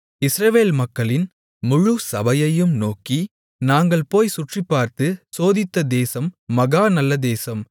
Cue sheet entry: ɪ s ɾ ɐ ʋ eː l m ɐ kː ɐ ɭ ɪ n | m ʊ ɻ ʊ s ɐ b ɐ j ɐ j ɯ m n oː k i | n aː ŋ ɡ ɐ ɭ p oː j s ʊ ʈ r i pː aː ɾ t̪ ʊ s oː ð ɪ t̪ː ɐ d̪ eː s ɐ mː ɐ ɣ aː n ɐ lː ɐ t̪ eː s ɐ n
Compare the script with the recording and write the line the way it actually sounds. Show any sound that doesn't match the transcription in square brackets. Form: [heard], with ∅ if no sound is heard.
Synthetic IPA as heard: ɪ s ɾ ɐ ʋ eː l m ɐ kː ɐ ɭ ɪ n | m ʊ ɻ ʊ s ɐ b ɐ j ɐ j ɯ m n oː k i | n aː ŋ ɡ ɐ ɭ p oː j s ʊ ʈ r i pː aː ɾ t̪ [ɯ] s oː ð ɪ t̪ː ɐ d̪ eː s ɐ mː ɐ ɣ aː n ɐ lː ɐ [d̪] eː s ɐ [m]